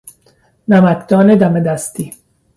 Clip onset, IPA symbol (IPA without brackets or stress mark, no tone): n